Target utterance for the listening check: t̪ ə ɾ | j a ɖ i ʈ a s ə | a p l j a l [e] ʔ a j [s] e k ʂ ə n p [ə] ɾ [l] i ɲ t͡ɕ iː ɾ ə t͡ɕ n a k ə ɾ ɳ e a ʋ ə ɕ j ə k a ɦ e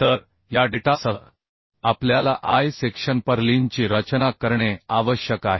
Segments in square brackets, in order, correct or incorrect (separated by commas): incorrect, correct, correct, correct